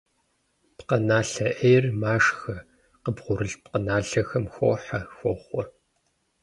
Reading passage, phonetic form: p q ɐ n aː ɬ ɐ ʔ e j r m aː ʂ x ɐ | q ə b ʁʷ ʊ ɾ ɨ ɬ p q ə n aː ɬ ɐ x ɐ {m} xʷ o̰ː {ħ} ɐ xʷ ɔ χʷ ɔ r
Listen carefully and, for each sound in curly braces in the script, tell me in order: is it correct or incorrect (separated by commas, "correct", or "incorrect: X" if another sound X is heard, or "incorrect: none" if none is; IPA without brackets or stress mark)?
correct, correct